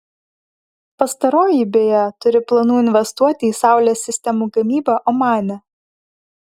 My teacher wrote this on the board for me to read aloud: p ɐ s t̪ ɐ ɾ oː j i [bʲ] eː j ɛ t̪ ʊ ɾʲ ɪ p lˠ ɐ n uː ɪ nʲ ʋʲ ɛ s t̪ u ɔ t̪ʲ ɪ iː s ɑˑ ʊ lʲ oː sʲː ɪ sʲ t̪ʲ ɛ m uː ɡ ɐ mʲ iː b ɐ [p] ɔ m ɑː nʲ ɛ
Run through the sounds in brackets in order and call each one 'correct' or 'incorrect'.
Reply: correct, incorrect: ʔ

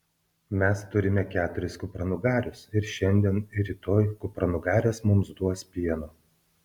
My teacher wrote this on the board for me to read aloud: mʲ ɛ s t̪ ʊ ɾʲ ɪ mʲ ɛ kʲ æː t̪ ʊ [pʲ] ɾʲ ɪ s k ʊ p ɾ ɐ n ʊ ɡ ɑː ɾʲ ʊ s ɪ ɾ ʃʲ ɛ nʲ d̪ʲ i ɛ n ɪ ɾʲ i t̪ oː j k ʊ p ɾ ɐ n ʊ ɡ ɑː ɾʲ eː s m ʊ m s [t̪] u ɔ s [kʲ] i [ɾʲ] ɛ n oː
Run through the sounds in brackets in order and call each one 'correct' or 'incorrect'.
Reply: incorrect: none, incorrect: d̪, incorrect: pʲ, incorrect: none

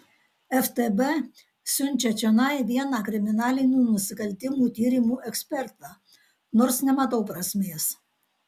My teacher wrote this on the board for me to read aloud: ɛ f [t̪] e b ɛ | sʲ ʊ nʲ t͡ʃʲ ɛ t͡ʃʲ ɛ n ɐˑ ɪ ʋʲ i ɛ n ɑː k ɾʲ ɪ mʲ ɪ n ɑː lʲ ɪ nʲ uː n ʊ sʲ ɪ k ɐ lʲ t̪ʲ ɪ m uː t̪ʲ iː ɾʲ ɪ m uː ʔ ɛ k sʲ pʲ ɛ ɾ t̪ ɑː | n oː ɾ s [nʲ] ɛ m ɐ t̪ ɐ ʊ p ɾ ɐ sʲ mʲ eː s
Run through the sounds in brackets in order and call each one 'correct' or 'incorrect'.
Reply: correct, correct

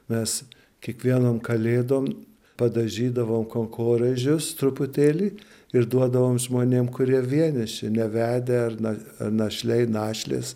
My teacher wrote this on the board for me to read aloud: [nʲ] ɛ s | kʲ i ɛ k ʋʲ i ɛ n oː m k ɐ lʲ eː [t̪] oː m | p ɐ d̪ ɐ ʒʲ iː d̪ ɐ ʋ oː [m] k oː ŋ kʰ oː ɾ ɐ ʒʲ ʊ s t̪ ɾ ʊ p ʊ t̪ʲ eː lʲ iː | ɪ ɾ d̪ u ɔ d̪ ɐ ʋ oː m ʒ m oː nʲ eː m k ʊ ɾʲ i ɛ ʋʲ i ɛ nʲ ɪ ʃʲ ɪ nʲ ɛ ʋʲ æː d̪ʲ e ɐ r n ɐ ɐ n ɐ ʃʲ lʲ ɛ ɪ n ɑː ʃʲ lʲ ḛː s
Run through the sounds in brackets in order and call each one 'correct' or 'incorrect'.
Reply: incorrect: mʲ, incorrect: d̪, correct

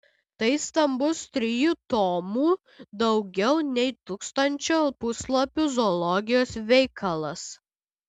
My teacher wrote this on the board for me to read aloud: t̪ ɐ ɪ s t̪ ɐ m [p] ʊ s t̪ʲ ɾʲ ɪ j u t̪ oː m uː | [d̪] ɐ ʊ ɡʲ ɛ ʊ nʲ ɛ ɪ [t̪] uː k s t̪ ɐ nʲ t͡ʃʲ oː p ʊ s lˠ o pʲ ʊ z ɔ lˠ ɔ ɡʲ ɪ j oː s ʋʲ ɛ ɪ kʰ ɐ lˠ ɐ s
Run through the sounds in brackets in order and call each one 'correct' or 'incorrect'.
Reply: incorrect: b, correct, correct

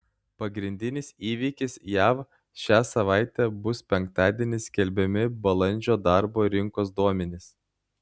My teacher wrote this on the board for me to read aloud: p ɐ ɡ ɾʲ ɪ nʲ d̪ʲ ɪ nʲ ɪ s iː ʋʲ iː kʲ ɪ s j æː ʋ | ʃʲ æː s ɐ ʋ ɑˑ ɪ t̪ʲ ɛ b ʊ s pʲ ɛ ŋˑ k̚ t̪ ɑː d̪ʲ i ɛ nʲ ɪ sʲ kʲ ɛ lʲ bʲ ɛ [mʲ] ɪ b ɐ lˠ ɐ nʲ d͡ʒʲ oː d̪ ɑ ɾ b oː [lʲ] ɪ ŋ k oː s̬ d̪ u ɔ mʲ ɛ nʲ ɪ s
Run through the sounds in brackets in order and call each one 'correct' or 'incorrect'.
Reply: correct, incorrect: ɾʲ

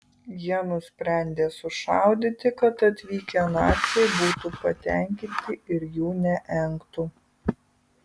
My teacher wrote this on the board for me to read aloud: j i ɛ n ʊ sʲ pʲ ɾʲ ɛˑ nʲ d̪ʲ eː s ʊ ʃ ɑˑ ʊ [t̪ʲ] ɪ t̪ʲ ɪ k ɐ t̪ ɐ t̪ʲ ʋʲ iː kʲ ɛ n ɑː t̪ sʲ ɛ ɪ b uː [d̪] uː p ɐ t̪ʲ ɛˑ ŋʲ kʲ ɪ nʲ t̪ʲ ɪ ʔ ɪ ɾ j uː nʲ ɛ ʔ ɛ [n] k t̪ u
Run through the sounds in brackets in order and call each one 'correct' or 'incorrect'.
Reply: incorrect: d̪ʲ, incorrect: t̪, incorrect: ŋ

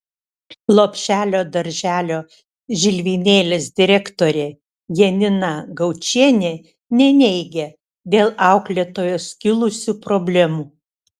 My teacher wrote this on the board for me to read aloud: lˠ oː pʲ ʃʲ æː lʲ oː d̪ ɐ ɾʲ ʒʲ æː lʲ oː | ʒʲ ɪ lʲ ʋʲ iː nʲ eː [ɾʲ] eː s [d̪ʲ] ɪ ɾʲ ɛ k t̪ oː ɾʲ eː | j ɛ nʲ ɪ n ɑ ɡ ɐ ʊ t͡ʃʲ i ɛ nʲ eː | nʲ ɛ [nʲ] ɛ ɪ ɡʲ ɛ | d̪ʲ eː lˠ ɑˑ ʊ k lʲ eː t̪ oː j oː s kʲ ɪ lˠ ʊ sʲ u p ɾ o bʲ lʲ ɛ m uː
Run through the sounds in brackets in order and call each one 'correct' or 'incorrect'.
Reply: incorrect: lʲ, correct, correct

